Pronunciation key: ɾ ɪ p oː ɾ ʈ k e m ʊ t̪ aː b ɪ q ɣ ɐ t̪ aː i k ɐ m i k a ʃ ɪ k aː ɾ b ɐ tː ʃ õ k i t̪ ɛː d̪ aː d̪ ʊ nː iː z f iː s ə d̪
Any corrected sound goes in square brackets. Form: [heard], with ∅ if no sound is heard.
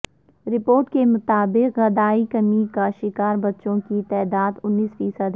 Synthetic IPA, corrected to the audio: ɾ ɪ p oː ɾ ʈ k e m ʊ t̪ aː b ɪ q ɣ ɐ [d̪] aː i k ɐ m i k a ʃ ɪ k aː ɾ b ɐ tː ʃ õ k i t̪ ɛː d̪ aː d̪ ʊ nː iː [s] f iː s ə d̪

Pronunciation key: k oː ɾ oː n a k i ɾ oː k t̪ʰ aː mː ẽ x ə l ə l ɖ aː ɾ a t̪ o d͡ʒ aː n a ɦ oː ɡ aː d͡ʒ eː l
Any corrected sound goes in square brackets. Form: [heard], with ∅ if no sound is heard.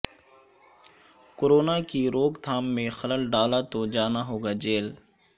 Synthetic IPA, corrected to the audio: k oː ɾ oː n a k i ɾ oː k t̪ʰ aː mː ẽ x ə l ə l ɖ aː [l] a t̪ o d͡ʒ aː n a ɦ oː ɡ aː d͡ʒ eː l

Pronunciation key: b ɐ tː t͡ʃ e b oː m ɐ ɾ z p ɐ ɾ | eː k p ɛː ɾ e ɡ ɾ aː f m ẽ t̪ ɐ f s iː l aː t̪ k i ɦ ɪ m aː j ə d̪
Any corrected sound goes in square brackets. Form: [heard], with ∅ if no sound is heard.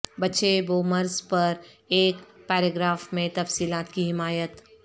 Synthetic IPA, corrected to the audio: b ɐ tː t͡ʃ e b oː m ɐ ɾ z p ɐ ɾ | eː k p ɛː ɾ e ɡ ɾ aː f m ẽ t̪ ɐ f s iː l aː t̪ k i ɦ ɪ m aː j ə [t̪]

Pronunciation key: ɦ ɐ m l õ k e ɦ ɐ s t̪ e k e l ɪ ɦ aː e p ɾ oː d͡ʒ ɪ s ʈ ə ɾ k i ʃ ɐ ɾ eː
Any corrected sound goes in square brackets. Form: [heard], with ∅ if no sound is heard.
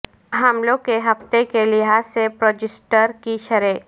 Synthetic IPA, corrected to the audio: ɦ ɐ m l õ k e ɦ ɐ [f] t̪ e k e l ɪ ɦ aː e p ɾ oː d͡ʒ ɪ s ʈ ə ɾ k i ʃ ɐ ɾ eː

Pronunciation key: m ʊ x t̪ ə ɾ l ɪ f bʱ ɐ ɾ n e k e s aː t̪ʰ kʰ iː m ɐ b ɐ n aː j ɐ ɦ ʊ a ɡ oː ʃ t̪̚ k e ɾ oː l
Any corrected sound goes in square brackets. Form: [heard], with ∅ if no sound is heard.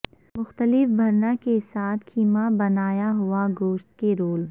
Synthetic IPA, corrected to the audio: m ʊ x t̪ ə [∅] l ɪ f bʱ ɐ ɾ n [a] k e s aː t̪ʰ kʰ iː m [a] b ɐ n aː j [a] ɦ ʊ a ɡ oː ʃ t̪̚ k e ɾ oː l

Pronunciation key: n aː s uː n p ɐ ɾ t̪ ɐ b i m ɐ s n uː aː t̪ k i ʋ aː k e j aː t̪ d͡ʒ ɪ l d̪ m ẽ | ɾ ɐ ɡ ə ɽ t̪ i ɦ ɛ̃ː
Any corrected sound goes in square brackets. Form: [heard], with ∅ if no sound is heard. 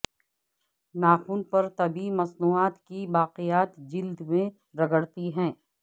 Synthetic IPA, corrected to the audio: n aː [x] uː n p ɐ ɾ t̪ ɐ b i m ɐ s n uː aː t̪ k i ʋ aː [q] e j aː t̪ d͡ʒ ɪ l d̪ m ẽ | ɾ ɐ ɡ ə ɽ t̪ i ɦ ɛ̃ː

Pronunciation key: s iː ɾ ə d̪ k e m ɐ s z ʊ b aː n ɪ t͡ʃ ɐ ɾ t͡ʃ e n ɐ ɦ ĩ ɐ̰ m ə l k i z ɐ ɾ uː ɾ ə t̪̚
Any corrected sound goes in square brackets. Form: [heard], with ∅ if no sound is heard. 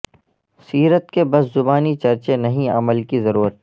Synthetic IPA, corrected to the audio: s iː ɾ ə [t̪] k e [b] ɐ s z ʊ b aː n [i] t͡ʃ ɐ ɾ t͡ʃ e n ɐ ɦ ĩ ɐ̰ m ə l k i z ɐ ɾ uː ɾ ə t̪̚

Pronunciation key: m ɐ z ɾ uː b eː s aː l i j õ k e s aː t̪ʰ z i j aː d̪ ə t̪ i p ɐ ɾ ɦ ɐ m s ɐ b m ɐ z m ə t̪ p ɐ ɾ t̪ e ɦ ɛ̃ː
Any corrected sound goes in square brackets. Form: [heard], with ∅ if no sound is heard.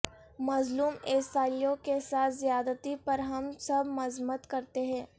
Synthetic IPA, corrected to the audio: m ɐ z [l] uː [m] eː s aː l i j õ k e s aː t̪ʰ z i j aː d̪ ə t̪ i p ɐ ɾ ɦ ɐ m s ɐ b m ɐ z m ə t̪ [k] ɐ ɾ t̪ e ɦ ɛ̃ː

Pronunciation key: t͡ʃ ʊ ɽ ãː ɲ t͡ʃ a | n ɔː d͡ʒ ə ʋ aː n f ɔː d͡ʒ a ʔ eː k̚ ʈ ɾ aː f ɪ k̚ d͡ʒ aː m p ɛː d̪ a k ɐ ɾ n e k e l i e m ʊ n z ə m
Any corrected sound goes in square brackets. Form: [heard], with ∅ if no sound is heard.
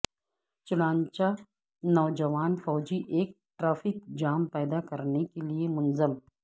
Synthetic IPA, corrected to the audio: t͡ʃ ʊ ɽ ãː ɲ t͡ʃ a | n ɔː d͡ʒ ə ʋ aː n f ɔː d͡ʒ [i] ʔ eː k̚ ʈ ɾ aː f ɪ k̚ d͡ʒ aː m p ɛː d̪ a k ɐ ɾ n e k e l i e m ʊ n z ə m

